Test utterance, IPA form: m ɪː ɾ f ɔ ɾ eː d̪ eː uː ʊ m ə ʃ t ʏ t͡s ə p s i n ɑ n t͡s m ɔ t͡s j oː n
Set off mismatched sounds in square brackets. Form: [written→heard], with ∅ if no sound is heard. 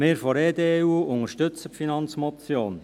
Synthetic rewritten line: m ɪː ɾ f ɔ ɾ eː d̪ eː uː ʊ [m→ŋ] ə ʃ t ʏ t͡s ə p [s→f] i n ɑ n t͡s m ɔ t͡s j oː n